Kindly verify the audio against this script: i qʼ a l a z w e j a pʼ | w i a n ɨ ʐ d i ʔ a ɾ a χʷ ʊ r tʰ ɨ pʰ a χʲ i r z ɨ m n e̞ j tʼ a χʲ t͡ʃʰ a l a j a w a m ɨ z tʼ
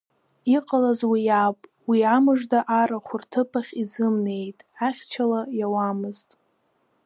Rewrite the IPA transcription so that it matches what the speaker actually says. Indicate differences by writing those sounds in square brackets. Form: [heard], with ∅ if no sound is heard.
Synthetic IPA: i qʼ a l a z w [i] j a pʼ | w i a [m] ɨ ʐ d [a] ʔ a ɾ a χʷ ʊ r tʰ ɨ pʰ a χʲ i [∅] z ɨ m n e̞ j tʼ a χʲ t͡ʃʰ a l a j a w a m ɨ z tʼ